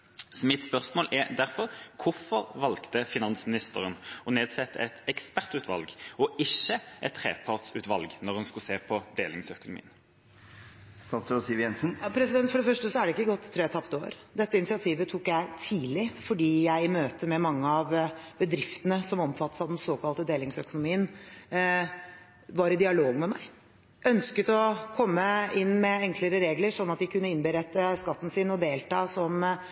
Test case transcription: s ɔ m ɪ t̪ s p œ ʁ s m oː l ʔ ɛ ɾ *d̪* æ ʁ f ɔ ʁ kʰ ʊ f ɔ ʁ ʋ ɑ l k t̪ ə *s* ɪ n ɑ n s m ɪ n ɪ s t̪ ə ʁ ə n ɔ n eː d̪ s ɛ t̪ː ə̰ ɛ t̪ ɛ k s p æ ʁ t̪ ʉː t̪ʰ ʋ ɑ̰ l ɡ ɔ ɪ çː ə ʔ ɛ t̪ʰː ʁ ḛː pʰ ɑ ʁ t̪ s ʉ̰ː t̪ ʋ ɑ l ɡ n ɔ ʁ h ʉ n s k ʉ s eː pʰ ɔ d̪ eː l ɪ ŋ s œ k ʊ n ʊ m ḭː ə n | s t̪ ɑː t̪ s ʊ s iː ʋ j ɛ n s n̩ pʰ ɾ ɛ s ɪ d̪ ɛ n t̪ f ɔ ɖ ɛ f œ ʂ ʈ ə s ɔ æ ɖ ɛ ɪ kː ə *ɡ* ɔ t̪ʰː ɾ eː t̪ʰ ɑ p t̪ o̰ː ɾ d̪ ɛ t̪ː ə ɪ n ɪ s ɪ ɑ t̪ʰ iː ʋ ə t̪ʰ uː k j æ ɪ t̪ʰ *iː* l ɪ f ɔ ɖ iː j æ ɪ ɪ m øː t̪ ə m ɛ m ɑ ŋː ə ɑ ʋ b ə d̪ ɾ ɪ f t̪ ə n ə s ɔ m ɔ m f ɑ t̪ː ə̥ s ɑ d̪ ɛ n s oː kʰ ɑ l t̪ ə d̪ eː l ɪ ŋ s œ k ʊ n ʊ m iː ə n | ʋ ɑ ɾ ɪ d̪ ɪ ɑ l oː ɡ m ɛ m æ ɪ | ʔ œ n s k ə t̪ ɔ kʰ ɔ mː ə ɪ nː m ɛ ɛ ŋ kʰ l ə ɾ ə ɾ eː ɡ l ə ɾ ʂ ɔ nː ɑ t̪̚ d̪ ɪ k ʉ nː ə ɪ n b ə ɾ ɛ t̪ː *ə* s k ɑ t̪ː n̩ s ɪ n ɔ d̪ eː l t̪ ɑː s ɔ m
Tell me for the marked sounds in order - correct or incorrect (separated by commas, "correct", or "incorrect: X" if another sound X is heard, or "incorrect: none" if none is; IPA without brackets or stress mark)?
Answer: correct, incorrect: f, correct, correct, correct